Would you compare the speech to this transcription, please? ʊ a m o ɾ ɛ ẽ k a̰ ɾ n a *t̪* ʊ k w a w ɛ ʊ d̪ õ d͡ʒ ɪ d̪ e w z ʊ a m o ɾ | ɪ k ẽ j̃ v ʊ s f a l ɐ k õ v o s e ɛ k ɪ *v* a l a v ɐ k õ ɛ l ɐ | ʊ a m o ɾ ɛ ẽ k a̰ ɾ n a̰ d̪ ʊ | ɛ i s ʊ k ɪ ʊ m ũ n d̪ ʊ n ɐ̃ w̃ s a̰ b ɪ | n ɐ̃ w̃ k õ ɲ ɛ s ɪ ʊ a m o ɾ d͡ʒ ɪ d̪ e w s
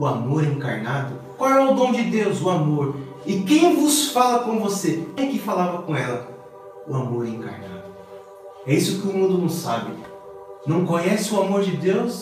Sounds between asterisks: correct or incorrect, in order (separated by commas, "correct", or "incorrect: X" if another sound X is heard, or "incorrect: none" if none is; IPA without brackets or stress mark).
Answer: incorrect: d̪, incorrect: f